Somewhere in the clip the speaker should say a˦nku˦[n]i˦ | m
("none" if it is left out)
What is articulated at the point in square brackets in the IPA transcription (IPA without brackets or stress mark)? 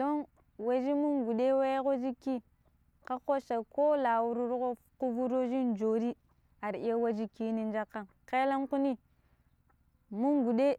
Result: n